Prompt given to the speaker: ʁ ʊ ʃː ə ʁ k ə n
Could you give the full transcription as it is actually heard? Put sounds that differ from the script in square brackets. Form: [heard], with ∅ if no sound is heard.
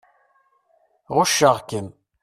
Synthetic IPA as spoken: ʁ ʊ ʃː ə ʁ k ə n